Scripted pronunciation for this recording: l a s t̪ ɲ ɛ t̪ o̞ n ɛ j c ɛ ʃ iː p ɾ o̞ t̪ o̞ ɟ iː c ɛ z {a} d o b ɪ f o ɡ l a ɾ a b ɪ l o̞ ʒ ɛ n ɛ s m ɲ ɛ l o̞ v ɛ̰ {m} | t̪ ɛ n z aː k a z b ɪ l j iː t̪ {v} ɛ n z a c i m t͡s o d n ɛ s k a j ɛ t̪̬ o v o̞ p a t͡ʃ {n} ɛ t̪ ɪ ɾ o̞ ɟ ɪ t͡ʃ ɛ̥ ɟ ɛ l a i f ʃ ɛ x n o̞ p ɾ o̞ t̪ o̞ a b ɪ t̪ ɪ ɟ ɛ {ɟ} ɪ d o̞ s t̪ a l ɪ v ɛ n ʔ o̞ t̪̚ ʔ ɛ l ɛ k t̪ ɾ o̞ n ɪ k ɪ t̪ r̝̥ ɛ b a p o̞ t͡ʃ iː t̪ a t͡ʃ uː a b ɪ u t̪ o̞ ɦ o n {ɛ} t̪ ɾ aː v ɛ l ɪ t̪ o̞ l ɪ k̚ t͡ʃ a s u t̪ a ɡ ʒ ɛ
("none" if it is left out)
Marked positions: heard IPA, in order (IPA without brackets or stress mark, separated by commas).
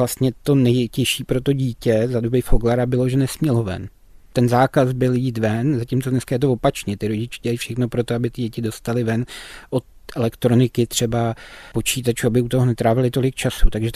a, n, v, ɲ, c, ɛ